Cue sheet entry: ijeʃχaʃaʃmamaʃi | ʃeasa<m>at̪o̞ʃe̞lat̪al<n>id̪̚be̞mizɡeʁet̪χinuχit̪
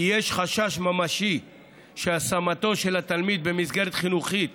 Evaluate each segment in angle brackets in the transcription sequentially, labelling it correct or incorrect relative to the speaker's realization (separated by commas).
correct, incorrect